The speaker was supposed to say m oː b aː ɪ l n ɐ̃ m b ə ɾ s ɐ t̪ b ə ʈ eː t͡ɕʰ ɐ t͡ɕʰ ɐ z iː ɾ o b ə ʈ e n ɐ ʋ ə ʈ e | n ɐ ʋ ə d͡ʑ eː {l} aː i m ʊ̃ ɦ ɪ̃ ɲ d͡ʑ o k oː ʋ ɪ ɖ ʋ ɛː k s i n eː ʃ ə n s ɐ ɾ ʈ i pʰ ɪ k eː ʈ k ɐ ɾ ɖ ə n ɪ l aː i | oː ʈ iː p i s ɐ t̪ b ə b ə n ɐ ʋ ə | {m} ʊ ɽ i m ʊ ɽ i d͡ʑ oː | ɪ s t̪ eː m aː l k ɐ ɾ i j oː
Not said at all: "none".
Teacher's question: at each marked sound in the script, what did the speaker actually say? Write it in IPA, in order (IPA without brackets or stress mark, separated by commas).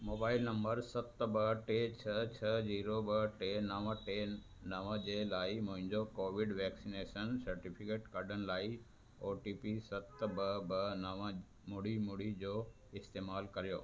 l, m